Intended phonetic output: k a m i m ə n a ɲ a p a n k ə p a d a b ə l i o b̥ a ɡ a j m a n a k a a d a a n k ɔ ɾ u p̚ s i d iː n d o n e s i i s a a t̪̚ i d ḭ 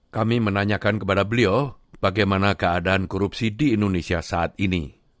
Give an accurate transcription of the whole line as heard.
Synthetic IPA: k a m i m ə n a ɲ a k a n k ə p a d a b ə l i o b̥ a ɡ a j m a n a k ə a d a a n k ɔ ɾ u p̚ s i d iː n d o n e s i a s a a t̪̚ i n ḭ